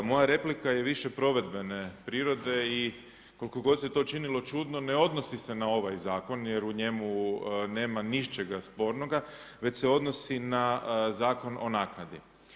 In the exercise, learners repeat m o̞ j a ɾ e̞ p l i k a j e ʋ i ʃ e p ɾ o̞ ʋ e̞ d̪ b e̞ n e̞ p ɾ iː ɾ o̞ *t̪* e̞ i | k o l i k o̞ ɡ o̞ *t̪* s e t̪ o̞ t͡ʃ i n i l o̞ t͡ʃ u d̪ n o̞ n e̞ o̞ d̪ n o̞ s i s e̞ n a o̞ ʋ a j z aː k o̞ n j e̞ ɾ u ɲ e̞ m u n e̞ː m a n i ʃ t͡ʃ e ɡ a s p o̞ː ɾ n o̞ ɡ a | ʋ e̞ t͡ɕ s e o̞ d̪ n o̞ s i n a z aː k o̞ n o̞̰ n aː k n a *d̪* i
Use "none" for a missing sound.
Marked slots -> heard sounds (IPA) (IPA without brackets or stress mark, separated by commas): d̪, d̪, d̪